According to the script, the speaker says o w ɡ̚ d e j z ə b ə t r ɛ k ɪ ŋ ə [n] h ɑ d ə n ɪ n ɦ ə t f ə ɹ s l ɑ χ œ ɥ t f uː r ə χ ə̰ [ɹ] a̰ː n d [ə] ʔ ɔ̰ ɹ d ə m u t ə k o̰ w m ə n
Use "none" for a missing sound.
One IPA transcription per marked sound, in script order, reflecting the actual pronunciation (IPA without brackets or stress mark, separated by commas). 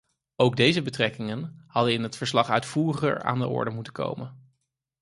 n, ɹ, ə